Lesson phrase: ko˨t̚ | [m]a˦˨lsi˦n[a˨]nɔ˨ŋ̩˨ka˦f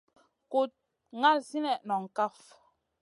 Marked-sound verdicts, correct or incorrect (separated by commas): incorrect, incorrect